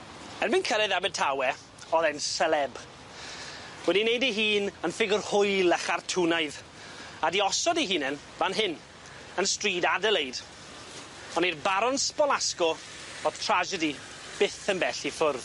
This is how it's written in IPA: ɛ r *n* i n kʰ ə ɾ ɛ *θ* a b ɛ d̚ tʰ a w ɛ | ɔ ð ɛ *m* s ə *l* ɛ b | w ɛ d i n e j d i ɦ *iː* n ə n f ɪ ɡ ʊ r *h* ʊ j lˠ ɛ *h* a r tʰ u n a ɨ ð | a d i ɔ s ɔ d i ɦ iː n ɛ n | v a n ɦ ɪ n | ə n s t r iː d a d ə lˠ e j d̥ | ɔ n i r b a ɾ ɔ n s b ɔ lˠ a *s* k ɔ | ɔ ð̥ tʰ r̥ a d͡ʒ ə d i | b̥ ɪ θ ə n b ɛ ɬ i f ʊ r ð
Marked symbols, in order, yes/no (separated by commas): no, no, no, yes, yes, yes, no, yes